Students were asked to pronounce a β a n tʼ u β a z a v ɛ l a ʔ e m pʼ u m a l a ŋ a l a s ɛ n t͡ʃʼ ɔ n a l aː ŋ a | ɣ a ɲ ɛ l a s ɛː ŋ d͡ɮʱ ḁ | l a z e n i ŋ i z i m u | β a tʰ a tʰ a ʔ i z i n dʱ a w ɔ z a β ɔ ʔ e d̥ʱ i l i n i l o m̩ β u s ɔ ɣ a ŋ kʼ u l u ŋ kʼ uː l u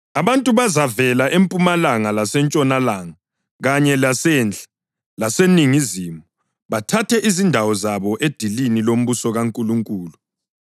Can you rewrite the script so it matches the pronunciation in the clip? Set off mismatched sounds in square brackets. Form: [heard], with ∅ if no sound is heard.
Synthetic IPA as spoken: a β a n tʼ u β a z a v ɛ l a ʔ e m pʼ u m a l a ŋ a l a s ɛ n t͡ʃʼ ɔ n a l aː ŋ a | ɣ a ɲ ɛ l a s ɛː [n] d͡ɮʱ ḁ | l a [s] e n i ŋ i z i m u | β a tʰ a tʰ [ɛ] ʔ i z i n dʱ a w ɔ z a β ɔ ʔ e d̥ʱ i l i n i l o m̩ β u s ɔ ɣ a ŋ kʼ u l u ŋ kʼ uː l u

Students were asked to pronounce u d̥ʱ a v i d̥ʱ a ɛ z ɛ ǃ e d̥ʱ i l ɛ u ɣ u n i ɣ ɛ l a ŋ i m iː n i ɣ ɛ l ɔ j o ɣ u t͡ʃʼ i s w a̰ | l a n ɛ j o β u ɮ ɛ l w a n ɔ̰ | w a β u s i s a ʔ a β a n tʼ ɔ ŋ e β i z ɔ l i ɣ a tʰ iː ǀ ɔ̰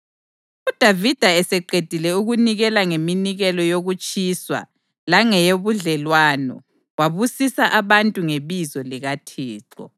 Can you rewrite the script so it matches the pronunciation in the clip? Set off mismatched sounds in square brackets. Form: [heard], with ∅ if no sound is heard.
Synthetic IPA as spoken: u d̥ʱ a v i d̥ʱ a ɛ [s] ɛ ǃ e d̥ʱ i l ɛ u ɣ u n i ɣ ɛ l a ŋ [e] m [i] n i ɣ ɛ l ɔ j o ɣ u t͡ʃʼ i s w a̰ | l a [ŋ] ɛ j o β u ɮ ɛ l w a n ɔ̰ | w a β u s i s a ʔ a β a n tʼ [u] ŋ e β i z ɔ l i ɣ a tʰ iː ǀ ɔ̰

